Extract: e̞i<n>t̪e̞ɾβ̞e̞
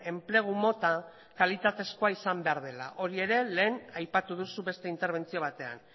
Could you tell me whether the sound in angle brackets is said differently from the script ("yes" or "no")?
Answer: no